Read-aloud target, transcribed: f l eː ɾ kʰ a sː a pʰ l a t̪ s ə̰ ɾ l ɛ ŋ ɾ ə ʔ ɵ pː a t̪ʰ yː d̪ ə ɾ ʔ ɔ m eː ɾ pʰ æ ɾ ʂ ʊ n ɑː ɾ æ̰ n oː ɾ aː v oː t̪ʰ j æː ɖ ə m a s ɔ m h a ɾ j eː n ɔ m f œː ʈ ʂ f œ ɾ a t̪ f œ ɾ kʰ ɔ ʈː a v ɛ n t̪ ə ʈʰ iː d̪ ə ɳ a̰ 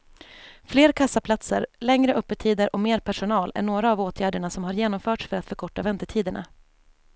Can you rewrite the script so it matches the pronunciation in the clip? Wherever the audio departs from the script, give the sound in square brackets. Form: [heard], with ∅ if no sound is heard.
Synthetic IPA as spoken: f l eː ɾ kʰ a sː a pʰ l a t̪ s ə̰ ɾ l ɛ ŋ ɾ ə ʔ ɵ pː [ə] t̪ʰ [iː] d̪ ə ɾ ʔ ɔ m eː ɾ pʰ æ [∅] ʂ ʊ n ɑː [l] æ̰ [ɳ] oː ɾ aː v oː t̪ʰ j æː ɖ ə [ɳ] a s ɔ m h a ɾ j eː n ɔ m f œː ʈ ʂ f œ ɾ a t̪ f œ ɾ kʰ ɔ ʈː a v ɛ n t̪ ə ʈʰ iː d̪ ə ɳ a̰